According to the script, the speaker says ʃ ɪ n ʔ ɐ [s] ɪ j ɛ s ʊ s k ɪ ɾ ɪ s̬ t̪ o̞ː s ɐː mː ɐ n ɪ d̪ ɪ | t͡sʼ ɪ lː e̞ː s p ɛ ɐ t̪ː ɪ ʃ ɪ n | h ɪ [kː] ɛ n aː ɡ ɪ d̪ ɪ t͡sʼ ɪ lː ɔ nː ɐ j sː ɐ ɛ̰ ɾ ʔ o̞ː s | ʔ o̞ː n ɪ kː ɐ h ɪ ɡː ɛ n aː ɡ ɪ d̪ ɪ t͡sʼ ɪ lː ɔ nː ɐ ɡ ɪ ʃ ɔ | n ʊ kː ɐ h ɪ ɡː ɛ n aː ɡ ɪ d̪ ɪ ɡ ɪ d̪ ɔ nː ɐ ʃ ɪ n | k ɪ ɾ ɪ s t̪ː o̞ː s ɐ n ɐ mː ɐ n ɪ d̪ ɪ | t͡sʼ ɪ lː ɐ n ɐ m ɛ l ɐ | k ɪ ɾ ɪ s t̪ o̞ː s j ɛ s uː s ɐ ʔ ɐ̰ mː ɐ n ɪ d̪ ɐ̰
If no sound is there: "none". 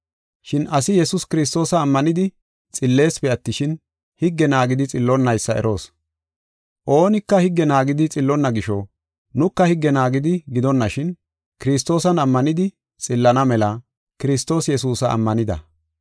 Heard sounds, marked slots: s, ɡː

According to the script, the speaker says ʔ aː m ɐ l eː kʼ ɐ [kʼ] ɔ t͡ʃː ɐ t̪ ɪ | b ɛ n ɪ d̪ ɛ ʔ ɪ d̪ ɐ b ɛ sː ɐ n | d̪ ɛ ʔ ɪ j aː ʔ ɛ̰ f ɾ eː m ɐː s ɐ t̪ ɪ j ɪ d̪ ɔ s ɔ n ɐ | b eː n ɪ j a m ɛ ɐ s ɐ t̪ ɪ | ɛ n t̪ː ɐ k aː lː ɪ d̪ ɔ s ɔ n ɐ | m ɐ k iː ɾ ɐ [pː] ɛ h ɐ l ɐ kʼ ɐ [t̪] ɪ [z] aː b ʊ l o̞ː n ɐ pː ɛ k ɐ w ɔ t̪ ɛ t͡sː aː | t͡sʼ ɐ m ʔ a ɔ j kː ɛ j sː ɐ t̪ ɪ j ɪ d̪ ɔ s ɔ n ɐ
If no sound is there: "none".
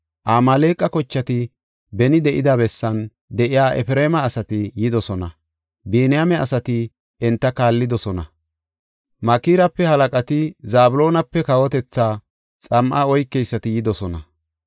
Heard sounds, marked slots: k, pː, t̪, z

